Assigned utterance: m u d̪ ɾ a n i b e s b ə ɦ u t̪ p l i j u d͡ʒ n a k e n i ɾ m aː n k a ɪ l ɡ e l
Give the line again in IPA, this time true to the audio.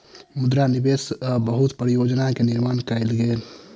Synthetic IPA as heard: m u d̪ ɾ a n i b e s b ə ɦ u t̪ p ɾ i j o d͡ʒ n a k e n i ɾ m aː n k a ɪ l ɡ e l